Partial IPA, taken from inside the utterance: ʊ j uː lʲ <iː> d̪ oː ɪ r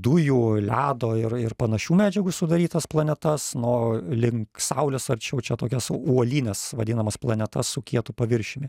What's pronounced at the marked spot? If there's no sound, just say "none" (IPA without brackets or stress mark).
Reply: æː